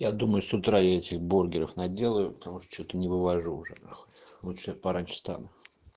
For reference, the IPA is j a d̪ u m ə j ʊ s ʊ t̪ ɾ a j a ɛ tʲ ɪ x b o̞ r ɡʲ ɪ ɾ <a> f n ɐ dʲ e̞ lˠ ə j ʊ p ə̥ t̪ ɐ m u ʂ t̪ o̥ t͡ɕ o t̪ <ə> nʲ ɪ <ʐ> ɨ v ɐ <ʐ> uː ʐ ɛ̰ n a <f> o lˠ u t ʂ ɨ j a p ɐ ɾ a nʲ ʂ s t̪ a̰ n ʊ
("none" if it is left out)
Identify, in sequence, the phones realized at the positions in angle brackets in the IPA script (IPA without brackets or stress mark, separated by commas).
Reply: ə, ə, v, ʐ, x